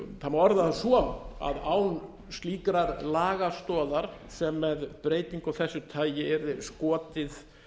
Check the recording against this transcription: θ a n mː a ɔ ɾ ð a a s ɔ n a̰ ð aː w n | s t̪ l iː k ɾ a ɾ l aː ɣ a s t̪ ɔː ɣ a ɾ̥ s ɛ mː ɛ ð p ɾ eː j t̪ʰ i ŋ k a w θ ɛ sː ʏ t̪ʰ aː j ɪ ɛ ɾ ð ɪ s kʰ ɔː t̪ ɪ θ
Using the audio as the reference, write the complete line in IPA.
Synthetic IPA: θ a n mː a ɔ ɾ ð a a s ɔ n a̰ ð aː w n | s t̪ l iː k ɾ a ɾ l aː ɣ a s t̪ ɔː ð a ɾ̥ s ɛ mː ɛ ð p ɾ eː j t̪ i ŋ k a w θ ɛ sː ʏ t̪ʰ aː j ɪ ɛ ɾ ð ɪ s k ɔː t̪ ɪ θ